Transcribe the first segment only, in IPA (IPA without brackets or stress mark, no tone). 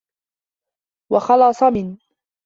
w